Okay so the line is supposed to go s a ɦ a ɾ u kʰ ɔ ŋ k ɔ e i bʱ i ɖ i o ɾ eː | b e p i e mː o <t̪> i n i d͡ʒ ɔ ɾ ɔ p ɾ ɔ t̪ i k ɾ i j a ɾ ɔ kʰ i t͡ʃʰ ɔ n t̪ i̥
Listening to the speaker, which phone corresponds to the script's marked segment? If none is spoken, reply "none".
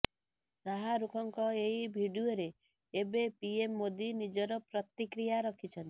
d̪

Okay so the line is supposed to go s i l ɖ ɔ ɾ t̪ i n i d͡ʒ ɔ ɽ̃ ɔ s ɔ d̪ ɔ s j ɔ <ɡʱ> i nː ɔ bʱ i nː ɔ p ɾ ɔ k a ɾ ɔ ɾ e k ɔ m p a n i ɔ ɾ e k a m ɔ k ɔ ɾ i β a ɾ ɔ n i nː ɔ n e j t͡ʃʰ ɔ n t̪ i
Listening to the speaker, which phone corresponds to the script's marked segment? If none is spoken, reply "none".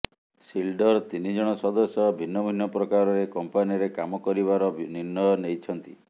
bʱ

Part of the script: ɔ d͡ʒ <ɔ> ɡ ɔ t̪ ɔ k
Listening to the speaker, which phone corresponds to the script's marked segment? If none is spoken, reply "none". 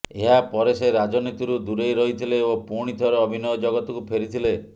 ɔ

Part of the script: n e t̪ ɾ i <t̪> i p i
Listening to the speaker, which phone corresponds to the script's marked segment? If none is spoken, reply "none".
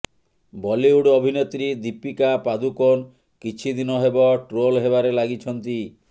d̪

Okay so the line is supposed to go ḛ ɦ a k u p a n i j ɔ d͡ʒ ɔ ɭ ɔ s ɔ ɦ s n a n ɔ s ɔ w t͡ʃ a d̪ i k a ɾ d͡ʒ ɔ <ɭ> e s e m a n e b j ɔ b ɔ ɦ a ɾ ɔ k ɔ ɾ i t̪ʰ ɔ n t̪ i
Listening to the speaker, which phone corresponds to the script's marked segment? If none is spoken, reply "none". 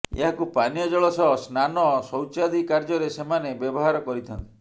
ɾ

